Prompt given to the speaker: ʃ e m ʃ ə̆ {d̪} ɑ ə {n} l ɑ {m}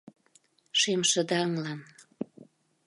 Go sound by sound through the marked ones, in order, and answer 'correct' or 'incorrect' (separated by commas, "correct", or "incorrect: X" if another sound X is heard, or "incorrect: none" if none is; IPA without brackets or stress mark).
correct, incorrect: ŋ, incorrect: n